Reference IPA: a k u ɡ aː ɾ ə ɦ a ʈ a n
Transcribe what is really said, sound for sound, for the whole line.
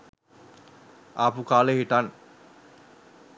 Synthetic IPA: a p u k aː l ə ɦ i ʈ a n